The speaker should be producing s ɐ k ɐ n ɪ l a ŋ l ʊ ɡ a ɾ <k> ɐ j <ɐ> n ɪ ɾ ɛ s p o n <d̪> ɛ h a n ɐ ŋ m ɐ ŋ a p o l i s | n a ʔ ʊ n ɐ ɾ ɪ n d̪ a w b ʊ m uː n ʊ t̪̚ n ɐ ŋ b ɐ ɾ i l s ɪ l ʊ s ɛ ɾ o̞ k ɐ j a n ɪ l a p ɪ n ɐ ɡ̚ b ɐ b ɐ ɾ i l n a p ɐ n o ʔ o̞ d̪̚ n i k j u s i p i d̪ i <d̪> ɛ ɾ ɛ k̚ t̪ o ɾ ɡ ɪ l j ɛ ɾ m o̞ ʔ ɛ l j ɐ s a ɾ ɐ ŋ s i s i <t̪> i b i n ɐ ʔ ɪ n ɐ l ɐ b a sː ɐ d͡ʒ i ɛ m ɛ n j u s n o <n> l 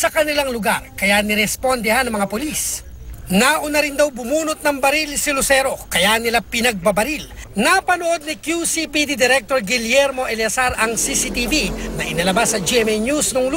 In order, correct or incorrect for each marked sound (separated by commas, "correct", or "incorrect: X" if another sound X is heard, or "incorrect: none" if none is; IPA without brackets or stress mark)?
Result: correct, incorrect: a, correct, correct, correct, incorrect: ŋ